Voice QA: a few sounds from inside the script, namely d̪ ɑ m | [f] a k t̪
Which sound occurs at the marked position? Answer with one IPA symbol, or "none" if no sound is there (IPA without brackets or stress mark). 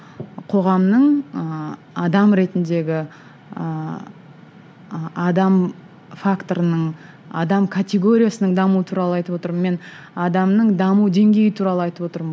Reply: f